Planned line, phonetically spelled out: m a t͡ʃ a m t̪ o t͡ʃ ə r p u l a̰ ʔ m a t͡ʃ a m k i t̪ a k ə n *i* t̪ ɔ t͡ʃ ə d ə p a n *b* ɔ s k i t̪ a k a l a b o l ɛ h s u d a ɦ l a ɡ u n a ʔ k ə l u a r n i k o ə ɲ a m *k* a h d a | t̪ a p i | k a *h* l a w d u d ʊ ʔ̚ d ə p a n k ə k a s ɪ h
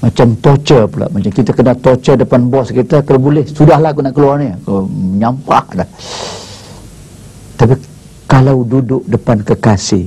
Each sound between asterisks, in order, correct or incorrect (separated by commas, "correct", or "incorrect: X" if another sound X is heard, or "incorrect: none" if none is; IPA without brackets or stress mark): incorrect: a, correct, incorrect: p, incorrect: none